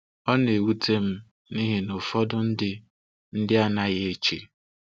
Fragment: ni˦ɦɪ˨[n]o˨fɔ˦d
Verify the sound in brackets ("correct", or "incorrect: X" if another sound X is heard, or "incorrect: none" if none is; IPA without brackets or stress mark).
correct